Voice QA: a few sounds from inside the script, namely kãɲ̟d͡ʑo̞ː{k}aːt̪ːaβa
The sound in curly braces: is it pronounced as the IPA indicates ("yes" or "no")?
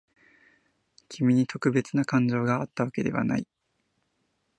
no